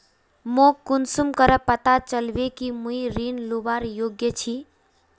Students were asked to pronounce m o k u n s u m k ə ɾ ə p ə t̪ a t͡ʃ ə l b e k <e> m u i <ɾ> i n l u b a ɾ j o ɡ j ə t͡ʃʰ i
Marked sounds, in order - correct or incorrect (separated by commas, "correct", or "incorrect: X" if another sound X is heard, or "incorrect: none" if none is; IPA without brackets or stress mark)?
incorrect: i, correct